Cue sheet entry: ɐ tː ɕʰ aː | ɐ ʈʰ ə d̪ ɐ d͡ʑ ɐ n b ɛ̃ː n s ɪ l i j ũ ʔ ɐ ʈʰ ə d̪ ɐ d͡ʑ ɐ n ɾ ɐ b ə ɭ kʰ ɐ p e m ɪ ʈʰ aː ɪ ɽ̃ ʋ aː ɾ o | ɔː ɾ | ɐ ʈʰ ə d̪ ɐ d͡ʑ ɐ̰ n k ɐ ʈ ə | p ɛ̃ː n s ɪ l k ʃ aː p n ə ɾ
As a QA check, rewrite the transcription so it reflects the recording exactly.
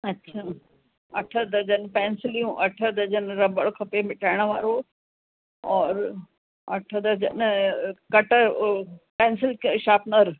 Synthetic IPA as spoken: ɐ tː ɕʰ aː | ɐ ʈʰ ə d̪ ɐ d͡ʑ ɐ n p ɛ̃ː n s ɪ l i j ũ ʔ ɐ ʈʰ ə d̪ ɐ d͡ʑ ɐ n ɾ ɐ b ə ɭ kʰ ɐ p e m ɪ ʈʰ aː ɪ ɽ̃ ʋ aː ɾ o | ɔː ɾ | ɐ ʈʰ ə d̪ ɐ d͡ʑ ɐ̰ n k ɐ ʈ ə | p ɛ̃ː n s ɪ l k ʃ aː p n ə ɾ